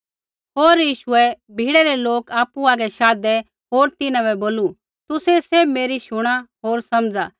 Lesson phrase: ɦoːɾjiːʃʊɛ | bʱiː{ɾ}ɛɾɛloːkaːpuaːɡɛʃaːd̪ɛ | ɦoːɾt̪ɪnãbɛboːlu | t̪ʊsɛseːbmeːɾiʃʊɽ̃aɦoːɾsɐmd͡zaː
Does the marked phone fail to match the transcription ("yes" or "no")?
yes